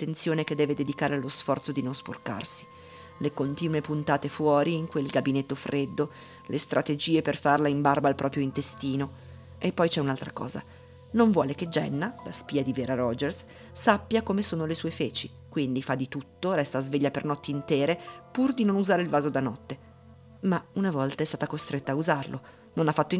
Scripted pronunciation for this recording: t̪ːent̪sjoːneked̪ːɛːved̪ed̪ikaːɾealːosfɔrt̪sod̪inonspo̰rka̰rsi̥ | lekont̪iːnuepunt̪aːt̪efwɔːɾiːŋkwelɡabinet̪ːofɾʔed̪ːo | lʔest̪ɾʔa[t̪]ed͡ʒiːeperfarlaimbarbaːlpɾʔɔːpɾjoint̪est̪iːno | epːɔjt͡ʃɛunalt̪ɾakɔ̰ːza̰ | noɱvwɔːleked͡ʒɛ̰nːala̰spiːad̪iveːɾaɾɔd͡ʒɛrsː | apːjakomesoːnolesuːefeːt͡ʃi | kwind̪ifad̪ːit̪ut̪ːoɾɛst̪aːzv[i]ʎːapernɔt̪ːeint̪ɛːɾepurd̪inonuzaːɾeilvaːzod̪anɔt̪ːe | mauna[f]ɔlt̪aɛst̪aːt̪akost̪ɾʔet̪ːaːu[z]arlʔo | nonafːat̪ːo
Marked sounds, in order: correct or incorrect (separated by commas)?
correct, incorrect, incorrect, correct